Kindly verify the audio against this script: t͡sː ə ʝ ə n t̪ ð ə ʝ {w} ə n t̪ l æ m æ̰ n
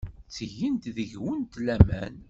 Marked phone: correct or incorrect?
correct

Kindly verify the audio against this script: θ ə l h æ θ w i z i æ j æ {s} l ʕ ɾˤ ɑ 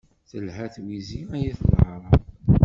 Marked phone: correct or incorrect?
incorrect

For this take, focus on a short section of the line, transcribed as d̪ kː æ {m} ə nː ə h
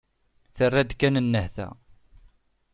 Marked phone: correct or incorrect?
incorrect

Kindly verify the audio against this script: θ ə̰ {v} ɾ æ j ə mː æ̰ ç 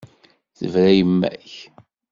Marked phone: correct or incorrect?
correct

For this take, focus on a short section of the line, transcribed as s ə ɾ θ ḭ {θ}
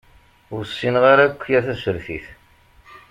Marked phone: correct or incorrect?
correct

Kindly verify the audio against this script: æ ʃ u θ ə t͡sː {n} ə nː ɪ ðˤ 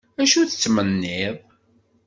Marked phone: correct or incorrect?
incorrect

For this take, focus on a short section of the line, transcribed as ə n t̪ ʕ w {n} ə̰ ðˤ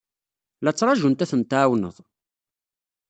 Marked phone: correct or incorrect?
correct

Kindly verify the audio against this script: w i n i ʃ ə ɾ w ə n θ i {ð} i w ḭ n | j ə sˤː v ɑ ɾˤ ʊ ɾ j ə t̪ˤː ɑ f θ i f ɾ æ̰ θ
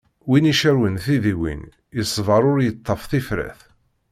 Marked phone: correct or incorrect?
correct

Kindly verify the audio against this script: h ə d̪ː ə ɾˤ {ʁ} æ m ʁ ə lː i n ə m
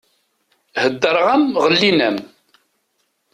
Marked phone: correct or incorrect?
correct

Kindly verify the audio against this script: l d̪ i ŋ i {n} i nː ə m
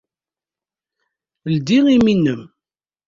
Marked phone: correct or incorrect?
incorrect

